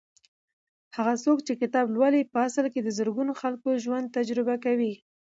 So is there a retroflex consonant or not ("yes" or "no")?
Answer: no